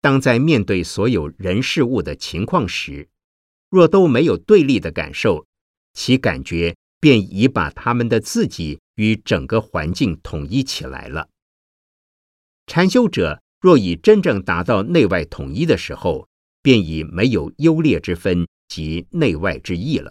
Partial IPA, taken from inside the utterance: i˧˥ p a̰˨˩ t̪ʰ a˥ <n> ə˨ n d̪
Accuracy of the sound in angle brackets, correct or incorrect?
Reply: incorrect